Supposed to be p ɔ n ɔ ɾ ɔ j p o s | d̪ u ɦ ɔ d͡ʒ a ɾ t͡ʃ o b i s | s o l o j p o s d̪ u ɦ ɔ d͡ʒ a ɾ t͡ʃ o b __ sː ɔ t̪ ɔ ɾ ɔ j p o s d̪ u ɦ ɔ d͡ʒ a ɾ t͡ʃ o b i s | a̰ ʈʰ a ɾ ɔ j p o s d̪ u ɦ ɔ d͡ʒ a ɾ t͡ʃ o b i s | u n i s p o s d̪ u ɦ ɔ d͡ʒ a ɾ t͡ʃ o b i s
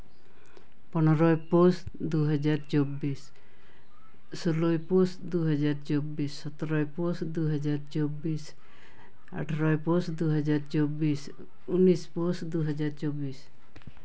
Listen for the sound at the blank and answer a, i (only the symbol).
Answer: i